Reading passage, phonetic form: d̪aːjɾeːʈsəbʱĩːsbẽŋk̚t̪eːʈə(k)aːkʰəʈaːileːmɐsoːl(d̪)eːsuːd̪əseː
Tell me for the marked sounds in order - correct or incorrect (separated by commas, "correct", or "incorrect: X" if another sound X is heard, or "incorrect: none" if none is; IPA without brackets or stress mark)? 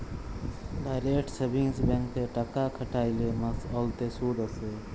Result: correct, incorrect: t̪